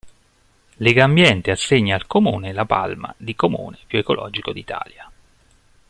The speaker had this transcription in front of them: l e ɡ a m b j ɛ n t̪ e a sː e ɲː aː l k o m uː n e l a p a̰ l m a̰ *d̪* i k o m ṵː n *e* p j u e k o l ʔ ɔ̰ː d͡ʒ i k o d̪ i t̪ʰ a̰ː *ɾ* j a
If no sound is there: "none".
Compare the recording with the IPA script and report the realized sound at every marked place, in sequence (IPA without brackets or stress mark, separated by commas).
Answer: d̪, e, l